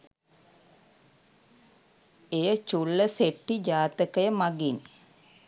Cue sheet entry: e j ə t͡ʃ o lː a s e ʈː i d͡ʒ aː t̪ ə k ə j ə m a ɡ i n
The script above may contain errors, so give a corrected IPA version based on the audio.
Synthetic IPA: e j ə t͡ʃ u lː ə s e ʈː i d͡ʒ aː t̪ ə k ə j ə m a ɡ i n